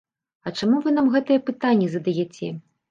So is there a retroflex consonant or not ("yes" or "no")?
yes